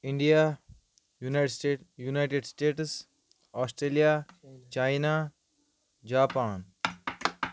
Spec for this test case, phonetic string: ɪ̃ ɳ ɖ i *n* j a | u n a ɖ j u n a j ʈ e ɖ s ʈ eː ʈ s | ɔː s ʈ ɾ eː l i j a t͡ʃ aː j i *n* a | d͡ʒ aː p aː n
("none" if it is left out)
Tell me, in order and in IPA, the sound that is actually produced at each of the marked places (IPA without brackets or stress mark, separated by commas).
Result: none, n